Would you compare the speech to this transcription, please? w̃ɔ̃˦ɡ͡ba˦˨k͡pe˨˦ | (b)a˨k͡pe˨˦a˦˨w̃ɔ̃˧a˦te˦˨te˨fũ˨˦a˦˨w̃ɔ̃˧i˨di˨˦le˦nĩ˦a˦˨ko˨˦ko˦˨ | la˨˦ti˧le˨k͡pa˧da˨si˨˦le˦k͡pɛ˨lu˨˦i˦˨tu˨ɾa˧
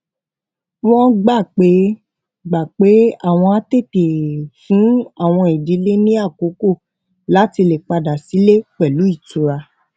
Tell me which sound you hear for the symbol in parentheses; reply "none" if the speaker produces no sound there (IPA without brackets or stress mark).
ɡ͡b